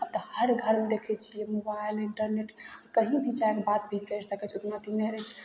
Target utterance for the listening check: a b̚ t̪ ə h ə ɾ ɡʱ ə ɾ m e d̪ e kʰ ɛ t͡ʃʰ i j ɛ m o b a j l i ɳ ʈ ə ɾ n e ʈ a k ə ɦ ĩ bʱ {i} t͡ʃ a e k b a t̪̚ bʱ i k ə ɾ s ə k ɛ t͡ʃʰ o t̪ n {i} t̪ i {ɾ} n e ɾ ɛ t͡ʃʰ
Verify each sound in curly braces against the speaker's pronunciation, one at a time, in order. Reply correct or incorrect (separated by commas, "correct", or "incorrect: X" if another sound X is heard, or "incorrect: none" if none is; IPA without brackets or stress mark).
correct, incorrect: a, incorrect: none